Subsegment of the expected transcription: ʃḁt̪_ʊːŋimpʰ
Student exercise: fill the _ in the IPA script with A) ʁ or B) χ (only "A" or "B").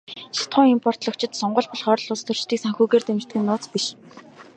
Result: B